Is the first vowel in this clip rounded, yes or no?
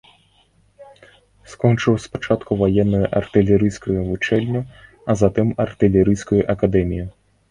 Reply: yes